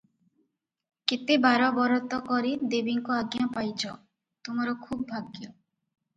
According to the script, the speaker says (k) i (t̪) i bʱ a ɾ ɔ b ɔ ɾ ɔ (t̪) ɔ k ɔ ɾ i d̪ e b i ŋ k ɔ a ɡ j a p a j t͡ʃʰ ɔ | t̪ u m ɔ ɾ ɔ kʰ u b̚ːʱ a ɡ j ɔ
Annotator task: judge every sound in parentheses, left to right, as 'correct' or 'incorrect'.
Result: correct, correct, correct

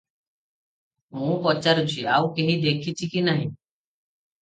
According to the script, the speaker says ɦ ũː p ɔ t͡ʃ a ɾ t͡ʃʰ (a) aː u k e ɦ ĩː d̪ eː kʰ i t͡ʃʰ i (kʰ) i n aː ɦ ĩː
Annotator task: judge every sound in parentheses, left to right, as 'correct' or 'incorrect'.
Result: incorrect: i, incorrect: k

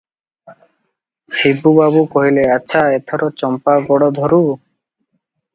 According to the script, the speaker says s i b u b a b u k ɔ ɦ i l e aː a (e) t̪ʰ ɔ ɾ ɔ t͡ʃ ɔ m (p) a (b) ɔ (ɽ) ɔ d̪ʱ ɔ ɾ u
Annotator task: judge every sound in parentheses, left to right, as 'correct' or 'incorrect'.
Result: correct, correct, incorrect: ɡ, correct

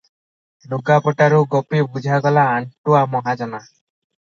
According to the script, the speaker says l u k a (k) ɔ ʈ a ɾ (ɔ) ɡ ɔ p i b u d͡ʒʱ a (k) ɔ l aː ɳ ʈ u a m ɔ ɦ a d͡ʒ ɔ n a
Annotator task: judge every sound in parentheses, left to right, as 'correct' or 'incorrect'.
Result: incorrect: p, incorrect: u, incorrect: ɡ

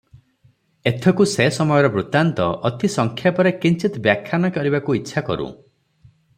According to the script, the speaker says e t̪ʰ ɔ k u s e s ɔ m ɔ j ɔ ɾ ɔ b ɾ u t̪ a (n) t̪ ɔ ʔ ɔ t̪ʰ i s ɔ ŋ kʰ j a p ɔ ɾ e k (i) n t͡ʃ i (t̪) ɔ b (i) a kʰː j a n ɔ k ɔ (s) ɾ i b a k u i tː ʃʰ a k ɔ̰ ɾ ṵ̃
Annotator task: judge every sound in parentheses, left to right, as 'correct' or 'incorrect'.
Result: correct, correct, correct, incorrect: j, incorrect: none

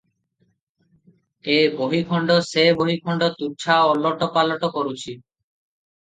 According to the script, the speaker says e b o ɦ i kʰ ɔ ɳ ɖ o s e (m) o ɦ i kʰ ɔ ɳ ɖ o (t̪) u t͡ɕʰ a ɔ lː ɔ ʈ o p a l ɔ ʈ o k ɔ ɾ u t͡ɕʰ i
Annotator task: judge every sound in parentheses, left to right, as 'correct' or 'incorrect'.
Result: incorrect: b, correct

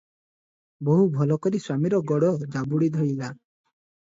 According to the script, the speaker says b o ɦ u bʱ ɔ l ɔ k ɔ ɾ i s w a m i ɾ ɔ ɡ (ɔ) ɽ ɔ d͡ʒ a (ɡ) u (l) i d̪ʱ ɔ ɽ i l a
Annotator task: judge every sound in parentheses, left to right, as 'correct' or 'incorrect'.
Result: correct, incorrect: b, incorrect: ɽ

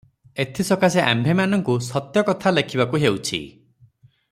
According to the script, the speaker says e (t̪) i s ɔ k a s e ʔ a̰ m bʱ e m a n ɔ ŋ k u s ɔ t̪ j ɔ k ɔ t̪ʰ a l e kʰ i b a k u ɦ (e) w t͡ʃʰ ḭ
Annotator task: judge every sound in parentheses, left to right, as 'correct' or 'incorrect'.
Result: incorrect: t̪ʰ, correct

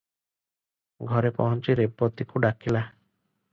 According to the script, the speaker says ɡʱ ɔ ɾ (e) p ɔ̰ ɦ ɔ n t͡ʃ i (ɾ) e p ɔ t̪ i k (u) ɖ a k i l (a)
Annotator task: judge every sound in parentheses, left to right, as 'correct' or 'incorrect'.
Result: correct, correct, correct, correct

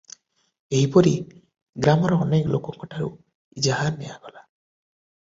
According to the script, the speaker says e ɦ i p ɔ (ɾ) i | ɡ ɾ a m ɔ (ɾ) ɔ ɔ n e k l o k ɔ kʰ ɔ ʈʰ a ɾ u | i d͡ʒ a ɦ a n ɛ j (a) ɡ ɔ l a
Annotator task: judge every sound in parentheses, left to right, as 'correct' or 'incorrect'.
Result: correct, correct, correct

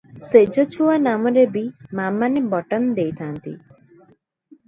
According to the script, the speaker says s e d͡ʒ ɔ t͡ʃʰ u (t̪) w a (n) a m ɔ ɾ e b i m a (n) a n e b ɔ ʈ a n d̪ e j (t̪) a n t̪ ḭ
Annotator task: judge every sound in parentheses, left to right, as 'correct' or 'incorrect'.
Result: incorrect: none, correct, incorrect: m, incorrect: t̪ʰ

